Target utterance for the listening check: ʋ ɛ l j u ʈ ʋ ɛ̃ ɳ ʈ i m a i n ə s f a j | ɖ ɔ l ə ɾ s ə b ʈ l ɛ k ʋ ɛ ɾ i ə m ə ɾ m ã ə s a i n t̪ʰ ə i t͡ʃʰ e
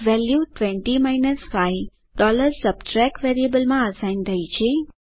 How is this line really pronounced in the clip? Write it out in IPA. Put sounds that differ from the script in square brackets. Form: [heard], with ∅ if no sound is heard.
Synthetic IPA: ʋ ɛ l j u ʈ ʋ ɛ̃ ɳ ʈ i m a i n ə s f a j | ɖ ɔ l ə ɾ s ə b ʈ [ɾ] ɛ k ʋ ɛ ɾ i ə [b] ə [l] m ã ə s a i n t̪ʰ ə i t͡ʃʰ e